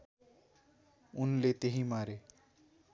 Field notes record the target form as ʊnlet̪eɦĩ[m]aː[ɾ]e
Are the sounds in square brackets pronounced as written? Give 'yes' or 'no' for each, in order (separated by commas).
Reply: yes, yes